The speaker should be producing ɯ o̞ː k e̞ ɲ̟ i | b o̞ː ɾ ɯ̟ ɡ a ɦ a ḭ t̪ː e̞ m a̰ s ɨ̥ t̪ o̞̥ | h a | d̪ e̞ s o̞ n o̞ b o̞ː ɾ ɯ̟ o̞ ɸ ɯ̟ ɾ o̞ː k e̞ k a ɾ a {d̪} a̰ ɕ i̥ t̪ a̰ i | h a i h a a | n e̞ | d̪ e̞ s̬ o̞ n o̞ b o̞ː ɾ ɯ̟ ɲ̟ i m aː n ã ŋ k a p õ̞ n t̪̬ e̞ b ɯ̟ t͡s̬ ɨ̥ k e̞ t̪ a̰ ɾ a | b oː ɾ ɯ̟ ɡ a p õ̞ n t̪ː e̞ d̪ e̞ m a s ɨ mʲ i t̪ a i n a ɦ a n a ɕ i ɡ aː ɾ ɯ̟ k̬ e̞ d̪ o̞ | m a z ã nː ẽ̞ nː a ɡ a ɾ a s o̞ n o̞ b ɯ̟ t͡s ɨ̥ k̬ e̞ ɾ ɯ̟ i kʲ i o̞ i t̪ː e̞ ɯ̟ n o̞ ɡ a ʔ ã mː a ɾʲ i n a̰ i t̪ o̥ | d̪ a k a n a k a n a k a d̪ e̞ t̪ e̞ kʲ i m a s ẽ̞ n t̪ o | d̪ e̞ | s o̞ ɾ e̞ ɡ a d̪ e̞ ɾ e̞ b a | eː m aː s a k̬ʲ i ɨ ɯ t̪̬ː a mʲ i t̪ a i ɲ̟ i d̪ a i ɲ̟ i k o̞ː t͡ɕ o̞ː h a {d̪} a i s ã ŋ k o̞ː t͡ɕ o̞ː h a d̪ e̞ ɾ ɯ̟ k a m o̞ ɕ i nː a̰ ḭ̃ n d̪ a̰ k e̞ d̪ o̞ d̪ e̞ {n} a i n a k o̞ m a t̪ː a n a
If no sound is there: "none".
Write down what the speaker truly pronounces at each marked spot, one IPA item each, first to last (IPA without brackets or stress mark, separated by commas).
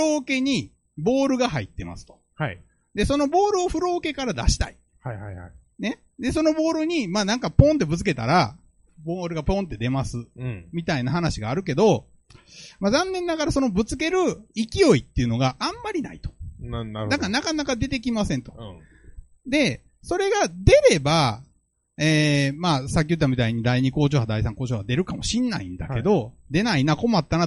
d̪, d̪, n